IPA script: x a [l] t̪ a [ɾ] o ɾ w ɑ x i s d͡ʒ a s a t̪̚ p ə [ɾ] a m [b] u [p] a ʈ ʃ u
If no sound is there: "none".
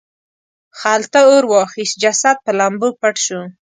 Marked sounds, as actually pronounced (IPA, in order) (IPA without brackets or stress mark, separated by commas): l, none, l, b, p